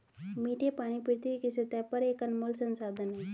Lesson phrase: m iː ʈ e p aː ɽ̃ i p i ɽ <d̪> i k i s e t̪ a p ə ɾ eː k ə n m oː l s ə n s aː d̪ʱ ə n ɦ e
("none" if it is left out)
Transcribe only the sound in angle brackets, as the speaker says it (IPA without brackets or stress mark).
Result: t̪